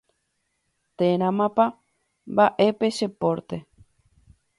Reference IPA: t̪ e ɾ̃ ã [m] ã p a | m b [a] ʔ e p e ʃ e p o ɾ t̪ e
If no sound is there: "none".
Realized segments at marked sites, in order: m, a

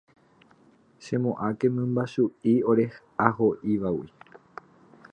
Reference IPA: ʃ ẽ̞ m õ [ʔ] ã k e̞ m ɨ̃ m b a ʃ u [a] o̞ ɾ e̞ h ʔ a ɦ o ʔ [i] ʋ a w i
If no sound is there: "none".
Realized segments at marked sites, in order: ʔ, i, i

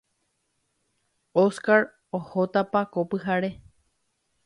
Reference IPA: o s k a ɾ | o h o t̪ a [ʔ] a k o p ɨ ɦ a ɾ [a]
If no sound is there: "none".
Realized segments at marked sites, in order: p, e

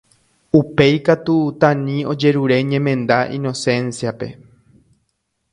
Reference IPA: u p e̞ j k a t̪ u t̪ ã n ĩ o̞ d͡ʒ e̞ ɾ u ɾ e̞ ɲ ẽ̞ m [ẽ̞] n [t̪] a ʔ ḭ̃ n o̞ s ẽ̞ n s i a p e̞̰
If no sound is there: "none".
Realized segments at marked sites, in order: ẽ̞, d̪

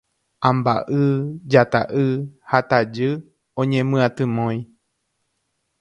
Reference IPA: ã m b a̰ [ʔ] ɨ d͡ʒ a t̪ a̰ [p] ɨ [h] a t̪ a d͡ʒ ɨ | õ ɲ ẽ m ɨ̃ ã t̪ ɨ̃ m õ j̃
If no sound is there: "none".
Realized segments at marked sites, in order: ʔ, ʔ, h

